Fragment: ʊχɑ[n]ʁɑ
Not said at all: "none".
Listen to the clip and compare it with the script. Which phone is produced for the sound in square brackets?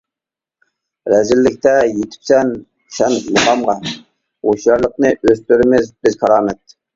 m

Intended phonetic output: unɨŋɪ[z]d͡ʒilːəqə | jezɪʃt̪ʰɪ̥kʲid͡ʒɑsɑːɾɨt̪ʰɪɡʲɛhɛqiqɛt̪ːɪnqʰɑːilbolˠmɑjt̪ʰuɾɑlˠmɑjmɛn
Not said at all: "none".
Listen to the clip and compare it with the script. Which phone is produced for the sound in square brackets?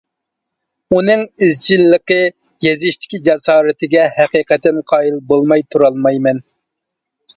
z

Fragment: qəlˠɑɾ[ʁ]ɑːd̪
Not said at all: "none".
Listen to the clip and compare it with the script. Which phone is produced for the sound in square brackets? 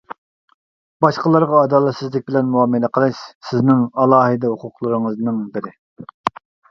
ʁ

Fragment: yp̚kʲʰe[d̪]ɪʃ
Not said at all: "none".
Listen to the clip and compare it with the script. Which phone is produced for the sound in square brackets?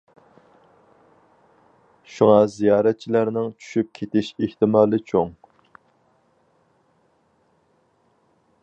t̪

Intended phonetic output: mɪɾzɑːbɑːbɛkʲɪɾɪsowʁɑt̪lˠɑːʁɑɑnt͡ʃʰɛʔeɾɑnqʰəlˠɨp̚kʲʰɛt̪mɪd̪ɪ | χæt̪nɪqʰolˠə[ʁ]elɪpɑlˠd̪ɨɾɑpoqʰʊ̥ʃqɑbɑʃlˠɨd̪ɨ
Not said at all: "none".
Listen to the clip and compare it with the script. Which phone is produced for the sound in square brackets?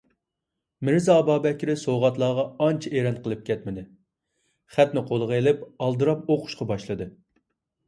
ʁ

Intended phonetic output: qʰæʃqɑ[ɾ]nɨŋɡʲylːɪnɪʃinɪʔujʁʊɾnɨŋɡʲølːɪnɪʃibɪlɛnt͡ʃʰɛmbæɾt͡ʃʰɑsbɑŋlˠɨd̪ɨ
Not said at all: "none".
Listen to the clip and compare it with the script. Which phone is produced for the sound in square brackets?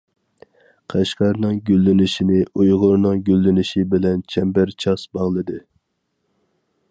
ɾ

